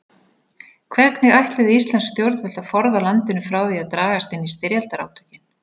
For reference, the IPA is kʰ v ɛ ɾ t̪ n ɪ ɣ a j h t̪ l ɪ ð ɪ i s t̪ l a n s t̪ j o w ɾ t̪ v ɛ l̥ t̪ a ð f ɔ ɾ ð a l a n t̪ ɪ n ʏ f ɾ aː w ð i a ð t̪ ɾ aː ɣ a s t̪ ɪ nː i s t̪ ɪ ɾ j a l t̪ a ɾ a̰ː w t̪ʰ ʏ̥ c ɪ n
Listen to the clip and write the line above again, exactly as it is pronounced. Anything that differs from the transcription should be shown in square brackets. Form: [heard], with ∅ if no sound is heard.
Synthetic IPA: kʰ v ɛ ɾ t̪ n ɪ ɣ a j h t̪ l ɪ ð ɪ i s t̪ l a n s t̪ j o w ɾ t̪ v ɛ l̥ t̪ a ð f ɔ ɾ ð a l a n t̪ ɪ n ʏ f ɾ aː w ð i a ð t̪ ɾ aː ɣ a s t̪ ɪ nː i s t̪ ɪ ɾ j a l t̪ a ɾ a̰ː w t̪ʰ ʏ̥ c ɪ n